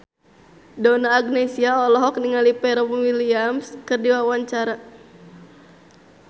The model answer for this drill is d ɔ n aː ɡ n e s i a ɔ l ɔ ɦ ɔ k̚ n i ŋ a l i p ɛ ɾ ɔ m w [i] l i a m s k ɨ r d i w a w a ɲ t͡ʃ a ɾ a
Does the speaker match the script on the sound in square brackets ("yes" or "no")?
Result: yes